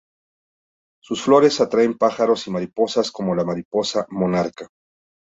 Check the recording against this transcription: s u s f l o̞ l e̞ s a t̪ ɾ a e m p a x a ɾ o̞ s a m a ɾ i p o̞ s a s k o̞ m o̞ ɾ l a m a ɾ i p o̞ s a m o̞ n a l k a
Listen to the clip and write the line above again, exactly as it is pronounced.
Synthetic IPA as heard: s u s f l o̞ ɾ e̞ s a t̪ ɾ a e m p a x a ɾ o̞ s i m a ɾ i p o̞ s a s k o̞ m o̞ l a m a ɾ i p o̞ s a m o̞ n a ɾ k a

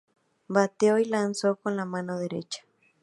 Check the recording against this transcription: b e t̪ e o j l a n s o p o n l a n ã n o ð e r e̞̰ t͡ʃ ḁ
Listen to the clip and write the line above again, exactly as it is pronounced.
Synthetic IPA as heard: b a t̪ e o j l a n s o k o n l a m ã n o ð e ɾ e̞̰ t͡ʃ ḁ

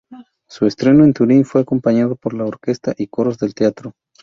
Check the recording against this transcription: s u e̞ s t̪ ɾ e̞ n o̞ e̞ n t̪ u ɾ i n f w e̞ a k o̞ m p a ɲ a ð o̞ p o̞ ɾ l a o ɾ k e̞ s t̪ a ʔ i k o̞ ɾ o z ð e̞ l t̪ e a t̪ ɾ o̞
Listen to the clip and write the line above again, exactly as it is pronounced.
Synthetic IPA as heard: s u e̞ s t̪ ɾ e̞ n o̞ e̞ n t̪ u ɾ i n f w e̞ a k o̞ m p a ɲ a ð o̞ p o̞ ɾ l a o ɾ k e̞ s t̪ a ʔ i k o̞ ɾ o z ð e̞ l t̪ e a t̪ ɾ o̞

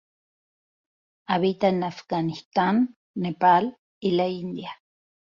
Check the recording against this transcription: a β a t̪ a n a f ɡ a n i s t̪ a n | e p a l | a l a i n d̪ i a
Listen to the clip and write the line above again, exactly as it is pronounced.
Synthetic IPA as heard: a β i t̪ a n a f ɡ a n i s t̪ a nː | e p a l | i l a i n d̪ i a

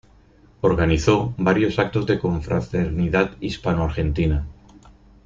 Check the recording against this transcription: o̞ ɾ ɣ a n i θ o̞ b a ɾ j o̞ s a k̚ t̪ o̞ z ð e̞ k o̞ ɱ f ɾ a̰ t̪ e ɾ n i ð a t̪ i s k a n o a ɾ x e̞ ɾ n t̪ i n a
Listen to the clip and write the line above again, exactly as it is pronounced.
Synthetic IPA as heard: o̞ ɾ ɣ a n i θ o̞ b a ɾ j o̞ s a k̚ t̪ o̞ z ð e̞ k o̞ ɱ f ɾ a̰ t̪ e ɾ n i ð a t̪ i s p a n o a ɾ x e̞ n t̪ i n a

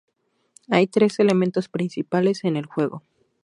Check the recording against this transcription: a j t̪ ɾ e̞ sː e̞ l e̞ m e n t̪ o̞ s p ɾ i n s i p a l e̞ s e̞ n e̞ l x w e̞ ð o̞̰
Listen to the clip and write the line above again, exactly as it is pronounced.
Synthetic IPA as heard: a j t̪ ɾ e̞ s e̞ l e̞ m e n t̪ o̞ s p ɾ i n s i p a l e̞ s e̞ n e̞ l x w e̞ ɣ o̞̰

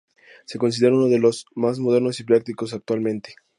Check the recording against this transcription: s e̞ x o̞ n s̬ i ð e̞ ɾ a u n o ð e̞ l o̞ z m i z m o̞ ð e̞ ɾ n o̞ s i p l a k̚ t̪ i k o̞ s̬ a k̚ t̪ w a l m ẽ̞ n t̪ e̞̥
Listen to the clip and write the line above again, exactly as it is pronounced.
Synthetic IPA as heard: s e̞ k o̞ n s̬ i ð e̞ ɾ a u n o ð e̞ l o̞ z m a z m o̞ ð e̞ ɾ n o̞ s i p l a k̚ t̪ i k o̞ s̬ a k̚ t̪ w a l m ẽ̞ n t̪ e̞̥

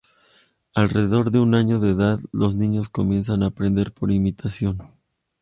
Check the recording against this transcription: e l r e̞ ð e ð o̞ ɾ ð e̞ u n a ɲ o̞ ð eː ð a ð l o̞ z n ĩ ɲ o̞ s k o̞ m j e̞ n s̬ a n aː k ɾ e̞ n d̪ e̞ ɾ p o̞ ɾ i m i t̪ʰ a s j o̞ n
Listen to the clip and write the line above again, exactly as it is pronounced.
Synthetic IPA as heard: a l r e̞ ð e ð o̞ ɾ ð e̞ u n a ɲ o̞ ð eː ð a ð l o̞ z n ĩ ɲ o̞ s k o̞ m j e̞ n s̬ a n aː p ɾ e̞ n d̪ e̞ ɾ p o̞ ɾ i m i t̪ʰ a s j o̞ n

